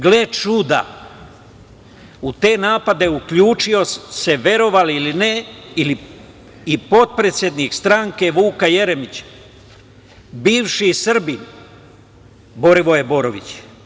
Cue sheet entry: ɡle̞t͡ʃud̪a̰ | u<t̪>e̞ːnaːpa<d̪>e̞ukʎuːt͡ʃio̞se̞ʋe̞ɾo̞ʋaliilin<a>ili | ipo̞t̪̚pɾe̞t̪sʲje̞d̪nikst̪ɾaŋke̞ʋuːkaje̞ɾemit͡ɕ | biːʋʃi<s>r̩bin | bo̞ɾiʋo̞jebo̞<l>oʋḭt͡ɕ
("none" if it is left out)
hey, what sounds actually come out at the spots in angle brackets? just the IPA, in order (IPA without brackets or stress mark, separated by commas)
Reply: t̪, d̪, e, s, ɾ